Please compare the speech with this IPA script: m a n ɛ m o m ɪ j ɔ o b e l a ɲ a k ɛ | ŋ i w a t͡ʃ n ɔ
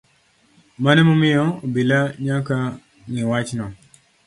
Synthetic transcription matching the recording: m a n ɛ m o m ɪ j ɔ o b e l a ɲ a k a | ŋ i w a t͡ʃ n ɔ